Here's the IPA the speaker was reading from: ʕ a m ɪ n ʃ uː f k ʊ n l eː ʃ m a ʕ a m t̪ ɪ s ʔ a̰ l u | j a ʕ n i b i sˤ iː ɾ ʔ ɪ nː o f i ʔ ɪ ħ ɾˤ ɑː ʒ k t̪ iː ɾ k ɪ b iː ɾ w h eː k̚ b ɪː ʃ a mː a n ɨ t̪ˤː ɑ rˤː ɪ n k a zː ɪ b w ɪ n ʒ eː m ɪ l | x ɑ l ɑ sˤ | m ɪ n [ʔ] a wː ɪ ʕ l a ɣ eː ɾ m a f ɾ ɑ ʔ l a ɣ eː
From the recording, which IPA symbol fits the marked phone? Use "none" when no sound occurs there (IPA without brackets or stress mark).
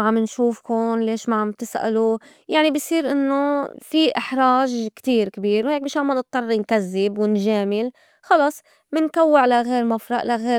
k